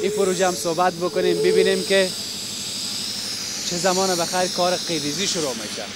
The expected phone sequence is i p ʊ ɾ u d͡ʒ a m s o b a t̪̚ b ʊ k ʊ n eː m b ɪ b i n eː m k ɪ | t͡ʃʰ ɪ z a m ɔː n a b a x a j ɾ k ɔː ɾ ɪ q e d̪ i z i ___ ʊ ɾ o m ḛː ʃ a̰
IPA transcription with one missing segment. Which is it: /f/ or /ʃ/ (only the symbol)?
ʃ